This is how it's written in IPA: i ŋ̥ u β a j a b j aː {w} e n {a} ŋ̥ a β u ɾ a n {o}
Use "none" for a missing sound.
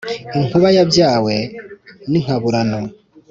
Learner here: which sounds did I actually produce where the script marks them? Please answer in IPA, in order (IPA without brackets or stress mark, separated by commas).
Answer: w, i, o